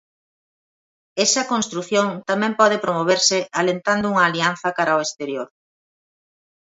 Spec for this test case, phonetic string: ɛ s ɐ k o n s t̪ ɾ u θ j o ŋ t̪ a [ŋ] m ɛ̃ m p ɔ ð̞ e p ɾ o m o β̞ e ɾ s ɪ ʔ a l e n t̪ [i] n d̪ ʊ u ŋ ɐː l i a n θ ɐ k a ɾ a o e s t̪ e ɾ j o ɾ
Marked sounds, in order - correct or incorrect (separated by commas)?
incorrect, incorrect